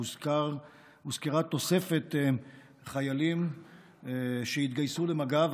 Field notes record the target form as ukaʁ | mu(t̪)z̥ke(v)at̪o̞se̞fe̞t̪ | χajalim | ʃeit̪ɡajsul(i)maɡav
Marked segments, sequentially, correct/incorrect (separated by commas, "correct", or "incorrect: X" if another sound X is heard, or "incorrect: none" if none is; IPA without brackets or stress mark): incorrect: none, incorrect: ʁ, incorrect: e